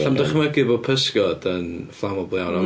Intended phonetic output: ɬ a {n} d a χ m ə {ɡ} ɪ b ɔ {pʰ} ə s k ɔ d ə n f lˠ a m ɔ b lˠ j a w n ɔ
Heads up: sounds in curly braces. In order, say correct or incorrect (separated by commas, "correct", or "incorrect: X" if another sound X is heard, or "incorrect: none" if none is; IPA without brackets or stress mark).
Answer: incorrect: m, correct, correct